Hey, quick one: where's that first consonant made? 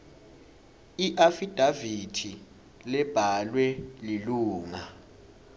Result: throat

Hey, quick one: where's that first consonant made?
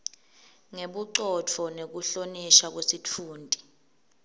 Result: velum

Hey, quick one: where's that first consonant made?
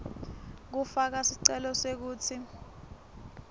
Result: velum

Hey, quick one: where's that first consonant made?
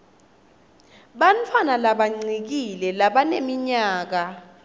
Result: lips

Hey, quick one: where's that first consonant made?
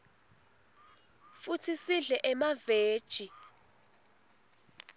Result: lips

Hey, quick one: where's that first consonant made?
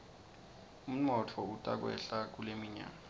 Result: lips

